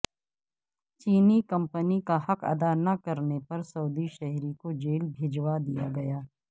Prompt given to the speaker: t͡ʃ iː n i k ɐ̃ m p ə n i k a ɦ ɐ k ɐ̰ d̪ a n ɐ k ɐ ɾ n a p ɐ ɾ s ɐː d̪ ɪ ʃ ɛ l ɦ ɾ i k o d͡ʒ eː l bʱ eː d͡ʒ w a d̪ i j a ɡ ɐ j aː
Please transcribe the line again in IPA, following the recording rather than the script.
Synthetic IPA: t͡ʃ iː n i k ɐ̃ m p ə n i k a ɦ ɐ k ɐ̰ d̪ a n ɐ k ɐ ɾ n e p ɐ ɾ s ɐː d̪ i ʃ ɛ ɦ ɾ i k o d͡ʒ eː l bʱ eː d͡ʒ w a d̪ i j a ɡ ɐ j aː

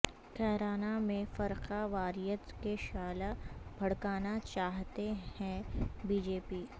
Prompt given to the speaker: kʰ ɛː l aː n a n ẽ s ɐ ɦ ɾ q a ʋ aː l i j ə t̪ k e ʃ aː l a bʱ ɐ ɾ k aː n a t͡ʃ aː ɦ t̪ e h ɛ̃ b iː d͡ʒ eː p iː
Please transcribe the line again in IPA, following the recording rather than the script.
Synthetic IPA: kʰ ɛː ɾ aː n a m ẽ f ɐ ɾ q a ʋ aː ɾ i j ə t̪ k e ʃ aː l a bʱ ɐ ɽ k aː n a t͡ʃ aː ɦ t̪ e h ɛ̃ b iː d͡ʒ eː p iː

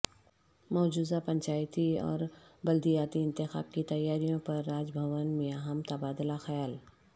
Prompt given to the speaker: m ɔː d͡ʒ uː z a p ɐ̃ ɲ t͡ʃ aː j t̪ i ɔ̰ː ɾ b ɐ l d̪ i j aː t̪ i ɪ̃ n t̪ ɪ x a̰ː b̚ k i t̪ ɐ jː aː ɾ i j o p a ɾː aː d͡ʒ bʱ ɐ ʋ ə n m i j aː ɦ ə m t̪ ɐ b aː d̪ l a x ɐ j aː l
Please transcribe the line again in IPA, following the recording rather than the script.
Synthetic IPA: m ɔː d͡ʒ uː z a p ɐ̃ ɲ t͡ʃ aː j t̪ i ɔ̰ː ɾ b ɐ l d̪ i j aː t̪ i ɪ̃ n t̪ ɪ x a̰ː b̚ k i t̪ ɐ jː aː ɾ i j õ p ɐ ɾː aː d͡ʒ bʱ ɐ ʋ ə n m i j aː ɦ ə m t̪ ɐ b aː d̪ l a x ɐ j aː l

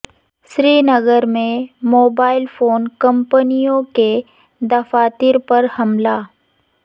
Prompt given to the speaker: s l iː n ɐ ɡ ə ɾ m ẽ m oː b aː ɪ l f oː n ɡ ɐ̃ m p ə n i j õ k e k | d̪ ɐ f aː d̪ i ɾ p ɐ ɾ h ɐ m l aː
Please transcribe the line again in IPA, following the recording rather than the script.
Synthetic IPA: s ɾ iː n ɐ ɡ ə ɾ m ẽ m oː b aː ɪ l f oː n k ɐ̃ m p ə n i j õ k e | d̪ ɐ f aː t̪ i ɾ p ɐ ɾ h ɐ m l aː

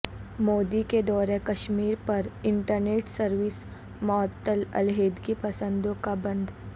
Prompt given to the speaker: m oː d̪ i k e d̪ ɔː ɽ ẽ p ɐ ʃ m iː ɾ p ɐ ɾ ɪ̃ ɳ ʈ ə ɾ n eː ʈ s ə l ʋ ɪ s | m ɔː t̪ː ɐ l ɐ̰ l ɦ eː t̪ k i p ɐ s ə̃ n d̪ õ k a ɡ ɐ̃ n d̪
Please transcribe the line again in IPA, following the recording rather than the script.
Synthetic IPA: m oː d̪ i k e d̪ ɔː ɾ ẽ k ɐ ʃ m iː ɾ p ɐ ɾ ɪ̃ ɳ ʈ ə ɾ n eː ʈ s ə ɾ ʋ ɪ s | m ɔː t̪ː ə l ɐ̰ l ɦ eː d̪ k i p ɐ s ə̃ n d̪ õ k a b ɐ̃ n d̪

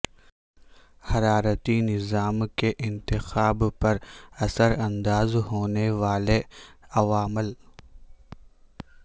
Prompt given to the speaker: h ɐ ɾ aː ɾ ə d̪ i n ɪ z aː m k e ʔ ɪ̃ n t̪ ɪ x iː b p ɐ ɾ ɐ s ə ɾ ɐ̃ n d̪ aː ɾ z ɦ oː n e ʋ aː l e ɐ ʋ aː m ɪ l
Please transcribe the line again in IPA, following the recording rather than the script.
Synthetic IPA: h ɐ ɾ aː ɾ ə t̪ i n ɪ z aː m k e ʔ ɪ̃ n t̪ ɪ x aː b p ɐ ɾ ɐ s ə ɾ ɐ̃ n d̪ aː z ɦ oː n e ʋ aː l e ɐ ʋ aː m ɪ l

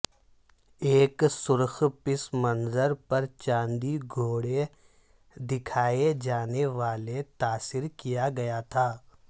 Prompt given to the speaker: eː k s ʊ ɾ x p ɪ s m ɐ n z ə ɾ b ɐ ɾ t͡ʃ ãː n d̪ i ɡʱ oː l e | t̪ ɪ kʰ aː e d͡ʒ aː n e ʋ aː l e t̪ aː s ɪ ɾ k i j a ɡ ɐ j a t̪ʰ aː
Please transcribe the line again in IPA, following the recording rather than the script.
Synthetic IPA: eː k s ʊ ɾ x p ɪ s m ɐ n z ə ɾ p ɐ ɾ t͡ʃ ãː n d̪ i ɡʱ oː ɽ e | d̪ ɪ kʰ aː e d͡ʒ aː n e ʋ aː l e t̪ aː s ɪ ɾ k i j a ɡ ɐ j a t̪ʰ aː

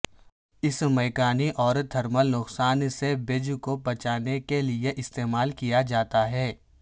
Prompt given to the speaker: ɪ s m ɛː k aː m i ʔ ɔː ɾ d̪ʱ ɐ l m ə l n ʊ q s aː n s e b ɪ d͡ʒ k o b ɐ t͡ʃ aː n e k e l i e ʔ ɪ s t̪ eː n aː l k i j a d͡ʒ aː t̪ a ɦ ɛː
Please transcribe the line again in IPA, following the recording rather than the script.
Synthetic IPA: ɪ s m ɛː k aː n i ʔ ɔː ɾ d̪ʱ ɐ ɾ m ə l n ʊ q s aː n s e b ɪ d͡ʒ k o b ɐ t͡ʃ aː n e k e l i e ʔ ɪ s t̪ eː m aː l k i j a d͡ʒ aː t̪ a ɦ ɛː

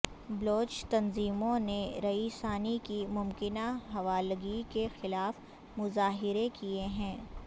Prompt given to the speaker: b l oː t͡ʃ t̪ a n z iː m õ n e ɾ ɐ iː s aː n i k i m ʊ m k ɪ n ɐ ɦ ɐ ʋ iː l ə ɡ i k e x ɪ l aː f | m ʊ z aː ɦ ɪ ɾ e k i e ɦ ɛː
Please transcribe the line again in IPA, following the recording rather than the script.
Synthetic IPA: b l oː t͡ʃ t̪ ɐ n z iː m õ n e ɾ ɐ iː s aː n i k i m ʊ m k ɪ n a ɦ ɐ ʋ aː l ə ɡ i k e x ɪ l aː f | m ʊ z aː ɦ ɪ ɾ e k i e ɦ ɛ̃ː

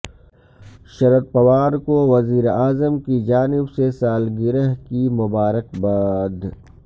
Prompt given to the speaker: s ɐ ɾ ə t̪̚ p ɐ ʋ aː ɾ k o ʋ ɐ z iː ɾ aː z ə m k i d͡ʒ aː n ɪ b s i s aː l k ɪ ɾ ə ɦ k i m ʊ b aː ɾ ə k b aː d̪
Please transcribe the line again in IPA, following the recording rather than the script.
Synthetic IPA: ʃ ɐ ɾ ə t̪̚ p ɐ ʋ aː ɾ k o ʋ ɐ z iː ɾ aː z ə m k i d͡ʒ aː n ɪ b s e s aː l ɡ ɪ ɾ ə ɦ k i m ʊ b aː ɾ ə k b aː d̪

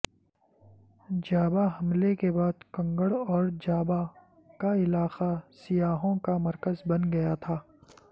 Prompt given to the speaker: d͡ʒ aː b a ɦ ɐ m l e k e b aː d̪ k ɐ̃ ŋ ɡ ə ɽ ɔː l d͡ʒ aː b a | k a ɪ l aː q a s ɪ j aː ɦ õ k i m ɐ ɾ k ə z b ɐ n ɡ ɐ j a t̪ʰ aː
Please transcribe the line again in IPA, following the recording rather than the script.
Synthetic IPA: d͡ʒ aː b a ɦ ɐ m l e k e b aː d̪ k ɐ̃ ŋ ɡ ə ɽ ɔː ɾ d͡ʒ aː b a | k a ɪ l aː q a s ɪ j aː ɦ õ k a m ɐ ɾ k ə z b ɐ n ɡ ɐ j a t̪ʰ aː

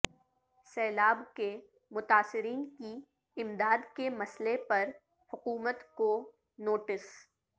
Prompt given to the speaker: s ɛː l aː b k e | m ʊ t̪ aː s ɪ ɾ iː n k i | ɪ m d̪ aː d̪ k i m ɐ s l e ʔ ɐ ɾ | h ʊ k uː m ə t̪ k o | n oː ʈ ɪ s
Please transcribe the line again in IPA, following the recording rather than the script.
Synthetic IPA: s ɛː l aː b k e | m ʊ t̪ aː s ɪ ɾ iː n k i | ɪ m d̪ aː d̪ k e m ɐ s l e p ɐ ɾ | h ʊ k uː m ə t̪ k o | n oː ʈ ɪ s

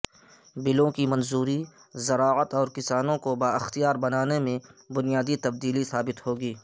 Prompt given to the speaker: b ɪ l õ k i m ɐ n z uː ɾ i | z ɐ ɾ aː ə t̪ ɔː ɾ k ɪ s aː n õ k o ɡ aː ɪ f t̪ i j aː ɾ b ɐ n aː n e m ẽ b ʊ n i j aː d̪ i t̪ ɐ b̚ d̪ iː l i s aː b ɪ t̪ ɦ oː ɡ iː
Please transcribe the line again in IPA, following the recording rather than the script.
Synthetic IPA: b ɪ l õ k i m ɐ n z uː ɾ i | z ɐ ɾ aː ə t̪ ɔː ɾ k ɪ s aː n õ k o b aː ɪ x t̪ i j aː ɾ b ɐ n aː n e m ẽ b ʊ n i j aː d̪ i t̪ ɐ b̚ d̪ iː l i s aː b ɪ t̪ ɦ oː ɡ iː

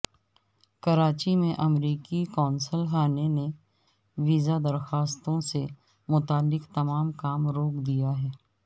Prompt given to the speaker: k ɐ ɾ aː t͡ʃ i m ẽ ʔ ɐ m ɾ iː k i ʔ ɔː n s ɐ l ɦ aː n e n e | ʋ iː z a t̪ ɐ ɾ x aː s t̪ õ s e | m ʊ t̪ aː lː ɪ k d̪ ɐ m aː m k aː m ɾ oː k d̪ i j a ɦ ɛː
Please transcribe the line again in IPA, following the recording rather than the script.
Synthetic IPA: k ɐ ɾ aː t͡ʃ i m ẽ ʔ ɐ m ɾ iː k i k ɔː n s ə l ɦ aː n e n e | ʋ iː z a d̪ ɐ ɾ x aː s t̪ õ s e | m ʊ t̪ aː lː ɪ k t̪ ɐ m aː m k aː m ɾ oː k d̪ i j a ɦ ɛː

